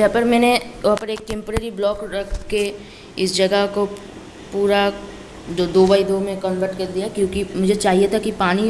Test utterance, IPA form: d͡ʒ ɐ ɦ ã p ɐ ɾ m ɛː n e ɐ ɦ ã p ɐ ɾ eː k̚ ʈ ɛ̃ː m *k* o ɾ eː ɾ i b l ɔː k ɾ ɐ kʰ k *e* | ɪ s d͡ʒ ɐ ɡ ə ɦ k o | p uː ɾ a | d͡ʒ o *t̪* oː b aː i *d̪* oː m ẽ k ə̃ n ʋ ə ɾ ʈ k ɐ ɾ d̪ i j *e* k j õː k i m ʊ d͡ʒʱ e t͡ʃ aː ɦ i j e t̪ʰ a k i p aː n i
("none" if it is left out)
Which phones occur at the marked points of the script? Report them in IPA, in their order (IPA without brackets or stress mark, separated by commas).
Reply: p, e, d̪, d̪, a